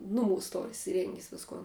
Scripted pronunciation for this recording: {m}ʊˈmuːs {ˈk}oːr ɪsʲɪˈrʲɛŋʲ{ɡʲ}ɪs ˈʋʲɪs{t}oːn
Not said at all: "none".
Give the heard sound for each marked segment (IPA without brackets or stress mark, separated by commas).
n, t, ɡʲ, k